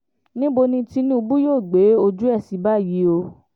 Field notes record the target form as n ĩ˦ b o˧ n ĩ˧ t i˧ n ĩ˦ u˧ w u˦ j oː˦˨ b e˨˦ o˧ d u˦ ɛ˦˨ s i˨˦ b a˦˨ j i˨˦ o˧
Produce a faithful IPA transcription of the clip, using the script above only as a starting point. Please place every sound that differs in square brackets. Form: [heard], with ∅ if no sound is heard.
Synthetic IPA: n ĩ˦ b o˧ n ĩ˧ t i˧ n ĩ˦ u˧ [b] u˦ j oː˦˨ [ɡ͡b] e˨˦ o˧ [d͡ʒ] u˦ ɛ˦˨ s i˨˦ b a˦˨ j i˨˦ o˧